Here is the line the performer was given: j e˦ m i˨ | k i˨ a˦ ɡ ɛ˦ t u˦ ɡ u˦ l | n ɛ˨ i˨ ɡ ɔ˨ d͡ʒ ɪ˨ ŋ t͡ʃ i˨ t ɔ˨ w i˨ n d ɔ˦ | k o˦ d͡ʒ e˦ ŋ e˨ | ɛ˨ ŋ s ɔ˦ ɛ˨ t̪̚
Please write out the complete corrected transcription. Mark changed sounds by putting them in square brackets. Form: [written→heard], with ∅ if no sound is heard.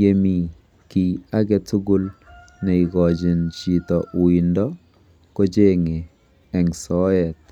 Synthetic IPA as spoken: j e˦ m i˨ | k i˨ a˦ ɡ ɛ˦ t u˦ ɡ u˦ l | n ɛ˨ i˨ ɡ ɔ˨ d͡ʒ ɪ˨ [ŋ→n] t͡ʃ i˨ t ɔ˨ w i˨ n d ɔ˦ | k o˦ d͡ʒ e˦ ŋ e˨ | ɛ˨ ŋ s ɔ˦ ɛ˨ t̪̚